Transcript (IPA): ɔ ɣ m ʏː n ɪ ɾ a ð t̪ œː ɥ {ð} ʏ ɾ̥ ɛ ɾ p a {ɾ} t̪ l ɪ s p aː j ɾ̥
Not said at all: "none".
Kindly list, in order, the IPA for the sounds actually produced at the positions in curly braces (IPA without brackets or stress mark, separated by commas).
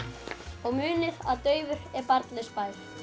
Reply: v, ɾ